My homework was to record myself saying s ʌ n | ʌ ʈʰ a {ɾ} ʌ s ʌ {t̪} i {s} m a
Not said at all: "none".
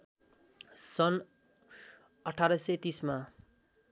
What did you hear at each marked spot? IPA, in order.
ɾ, t̪, s

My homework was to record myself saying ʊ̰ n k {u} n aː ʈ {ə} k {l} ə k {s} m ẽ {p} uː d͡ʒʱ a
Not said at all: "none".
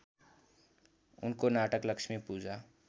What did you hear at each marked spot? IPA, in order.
o, ə, l, ʃ, p

